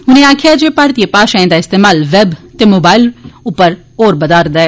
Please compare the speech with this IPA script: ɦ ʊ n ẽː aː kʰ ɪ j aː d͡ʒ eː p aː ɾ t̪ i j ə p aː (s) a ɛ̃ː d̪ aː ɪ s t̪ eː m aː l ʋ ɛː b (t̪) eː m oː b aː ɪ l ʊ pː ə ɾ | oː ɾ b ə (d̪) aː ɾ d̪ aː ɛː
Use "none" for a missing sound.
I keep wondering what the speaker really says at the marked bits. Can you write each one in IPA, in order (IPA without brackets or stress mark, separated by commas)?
ʃ, t̪, d̪